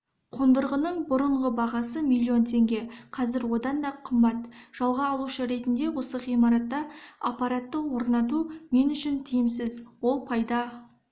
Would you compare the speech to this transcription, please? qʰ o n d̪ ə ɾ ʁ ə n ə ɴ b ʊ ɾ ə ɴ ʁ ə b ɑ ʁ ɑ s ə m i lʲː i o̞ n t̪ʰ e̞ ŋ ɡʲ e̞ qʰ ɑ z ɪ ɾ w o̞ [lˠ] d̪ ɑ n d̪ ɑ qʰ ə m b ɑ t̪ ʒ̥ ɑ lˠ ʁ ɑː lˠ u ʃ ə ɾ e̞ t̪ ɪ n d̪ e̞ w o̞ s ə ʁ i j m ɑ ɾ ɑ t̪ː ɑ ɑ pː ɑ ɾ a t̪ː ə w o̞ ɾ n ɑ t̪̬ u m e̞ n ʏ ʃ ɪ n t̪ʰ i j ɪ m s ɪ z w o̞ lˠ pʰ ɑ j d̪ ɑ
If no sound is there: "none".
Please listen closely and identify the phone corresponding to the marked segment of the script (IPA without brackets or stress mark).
none